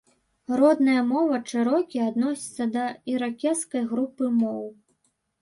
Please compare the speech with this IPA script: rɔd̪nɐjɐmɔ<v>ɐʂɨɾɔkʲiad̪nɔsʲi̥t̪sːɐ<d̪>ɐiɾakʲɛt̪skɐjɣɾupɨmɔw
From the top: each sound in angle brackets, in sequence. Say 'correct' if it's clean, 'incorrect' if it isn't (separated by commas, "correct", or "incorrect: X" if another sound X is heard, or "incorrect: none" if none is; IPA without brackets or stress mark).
correct, correct